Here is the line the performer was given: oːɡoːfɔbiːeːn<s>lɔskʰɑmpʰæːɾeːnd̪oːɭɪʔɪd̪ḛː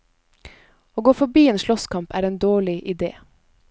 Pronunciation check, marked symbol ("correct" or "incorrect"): incorrect